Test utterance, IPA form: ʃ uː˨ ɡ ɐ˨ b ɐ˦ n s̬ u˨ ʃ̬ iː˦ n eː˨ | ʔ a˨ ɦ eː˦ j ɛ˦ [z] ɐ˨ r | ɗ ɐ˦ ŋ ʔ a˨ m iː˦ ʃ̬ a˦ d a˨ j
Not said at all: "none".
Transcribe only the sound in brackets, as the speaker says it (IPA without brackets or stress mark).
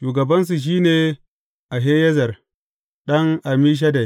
z